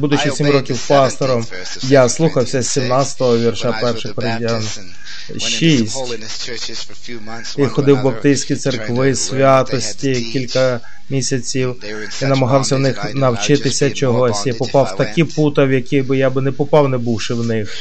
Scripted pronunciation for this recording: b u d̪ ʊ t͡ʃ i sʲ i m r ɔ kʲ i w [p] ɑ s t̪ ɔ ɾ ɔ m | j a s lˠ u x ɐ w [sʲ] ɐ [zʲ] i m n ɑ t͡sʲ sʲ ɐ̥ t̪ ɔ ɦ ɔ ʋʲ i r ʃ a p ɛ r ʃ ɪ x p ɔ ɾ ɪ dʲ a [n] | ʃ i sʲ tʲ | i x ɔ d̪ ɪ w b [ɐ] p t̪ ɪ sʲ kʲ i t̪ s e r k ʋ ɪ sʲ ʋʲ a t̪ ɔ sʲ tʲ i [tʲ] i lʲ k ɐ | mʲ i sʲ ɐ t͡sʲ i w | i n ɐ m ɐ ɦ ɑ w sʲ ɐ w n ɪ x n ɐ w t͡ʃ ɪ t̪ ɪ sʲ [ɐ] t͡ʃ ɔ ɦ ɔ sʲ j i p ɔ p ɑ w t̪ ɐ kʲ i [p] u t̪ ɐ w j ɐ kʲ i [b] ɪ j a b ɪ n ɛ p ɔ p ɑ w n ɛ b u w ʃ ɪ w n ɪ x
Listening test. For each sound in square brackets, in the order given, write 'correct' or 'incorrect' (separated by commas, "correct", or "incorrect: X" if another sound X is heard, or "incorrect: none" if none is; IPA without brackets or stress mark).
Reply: correct, correct, incorrect: sʲ, correct, correct, incorrect: kʲ, correct, correct, correct